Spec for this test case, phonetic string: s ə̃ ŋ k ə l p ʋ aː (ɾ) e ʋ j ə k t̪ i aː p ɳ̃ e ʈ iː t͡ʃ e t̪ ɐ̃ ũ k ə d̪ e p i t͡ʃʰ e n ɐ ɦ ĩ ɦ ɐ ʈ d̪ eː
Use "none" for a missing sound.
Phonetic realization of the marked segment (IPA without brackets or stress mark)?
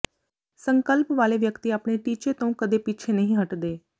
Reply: l